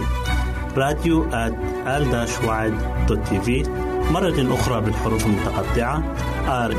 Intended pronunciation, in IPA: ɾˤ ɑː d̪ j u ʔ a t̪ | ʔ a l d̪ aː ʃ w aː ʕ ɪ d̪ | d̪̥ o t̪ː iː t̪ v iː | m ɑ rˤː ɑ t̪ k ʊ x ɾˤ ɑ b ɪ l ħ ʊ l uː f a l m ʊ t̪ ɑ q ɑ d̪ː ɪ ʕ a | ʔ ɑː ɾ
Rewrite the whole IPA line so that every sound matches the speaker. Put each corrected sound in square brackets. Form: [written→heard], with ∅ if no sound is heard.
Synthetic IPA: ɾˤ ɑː d̪ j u ʔ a t̪ | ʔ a l d̪ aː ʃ w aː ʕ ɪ d̪ | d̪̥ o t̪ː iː [t̪→∅] v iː | m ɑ rˤː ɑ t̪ [k→ʔ] ʊ x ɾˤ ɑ b ɪ l ħ ʊ [l→ɾ] uː f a l m ʊ t̪ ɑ q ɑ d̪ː ɪ ʕ a | ʔ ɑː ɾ